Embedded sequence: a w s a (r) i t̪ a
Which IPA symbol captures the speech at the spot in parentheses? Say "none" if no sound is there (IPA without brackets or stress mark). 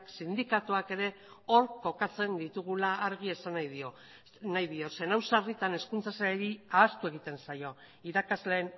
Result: r